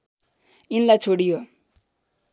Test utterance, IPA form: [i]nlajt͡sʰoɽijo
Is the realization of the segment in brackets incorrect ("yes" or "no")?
no